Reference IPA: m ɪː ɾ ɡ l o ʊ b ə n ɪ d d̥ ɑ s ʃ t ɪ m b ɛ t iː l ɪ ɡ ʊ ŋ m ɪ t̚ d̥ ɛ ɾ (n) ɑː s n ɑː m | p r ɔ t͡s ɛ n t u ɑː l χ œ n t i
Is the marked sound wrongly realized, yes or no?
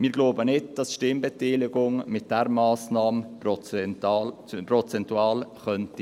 yes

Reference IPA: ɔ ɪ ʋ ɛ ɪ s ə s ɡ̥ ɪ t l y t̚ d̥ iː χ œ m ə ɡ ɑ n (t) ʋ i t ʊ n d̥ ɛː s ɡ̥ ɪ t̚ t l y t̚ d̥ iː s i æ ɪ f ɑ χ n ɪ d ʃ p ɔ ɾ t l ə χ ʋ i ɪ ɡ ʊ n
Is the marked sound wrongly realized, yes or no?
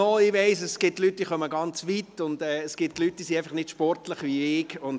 yes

